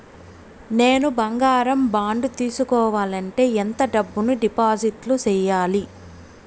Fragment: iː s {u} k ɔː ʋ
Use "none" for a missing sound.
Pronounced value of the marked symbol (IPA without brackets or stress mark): u